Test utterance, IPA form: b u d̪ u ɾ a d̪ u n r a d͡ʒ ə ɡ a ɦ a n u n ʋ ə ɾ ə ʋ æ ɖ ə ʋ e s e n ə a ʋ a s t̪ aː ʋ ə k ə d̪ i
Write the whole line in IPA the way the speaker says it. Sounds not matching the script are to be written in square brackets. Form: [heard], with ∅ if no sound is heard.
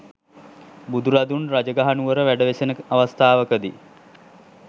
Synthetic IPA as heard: b u d̪ u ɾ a d̪ u n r a d͡ʒ ə ɡ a ɦ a n u [∅] ʋ ə ɾ ə ʋ æ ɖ ə ʋ e s e n ə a ʋ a s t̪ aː ʋ ə k ə d̪ i